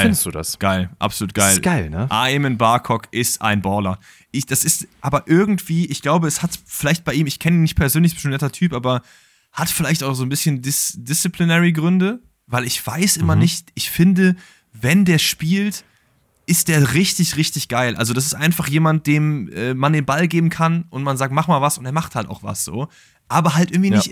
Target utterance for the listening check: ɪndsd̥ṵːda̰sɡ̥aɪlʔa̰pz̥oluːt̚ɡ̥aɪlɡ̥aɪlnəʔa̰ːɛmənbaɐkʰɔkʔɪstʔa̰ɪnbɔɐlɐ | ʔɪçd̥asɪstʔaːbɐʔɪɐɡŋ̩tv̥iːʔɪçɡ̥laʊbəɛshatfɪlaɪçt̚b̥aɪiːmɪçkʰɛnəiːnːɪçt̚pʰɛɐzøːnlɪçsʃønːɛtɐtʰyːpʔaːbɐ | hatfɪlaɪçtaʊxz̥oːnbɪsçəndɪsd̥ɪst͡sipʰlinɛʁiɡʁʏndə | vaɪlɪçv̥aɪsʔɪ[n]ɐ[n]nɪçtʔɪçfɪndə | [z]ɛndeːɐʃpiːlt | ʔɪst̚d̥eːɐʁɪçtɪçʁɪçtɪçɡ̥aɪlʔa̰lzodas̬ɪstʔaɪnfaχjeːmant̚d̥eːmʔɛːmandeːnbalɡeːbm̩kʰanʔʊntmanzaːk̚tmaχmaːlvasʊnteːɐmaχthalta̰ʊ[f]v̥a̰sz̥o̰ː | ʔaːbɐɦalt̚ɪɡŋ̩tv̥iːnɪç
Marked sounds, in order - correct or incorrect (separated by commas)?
incorrect, correct, incorrect, incorrect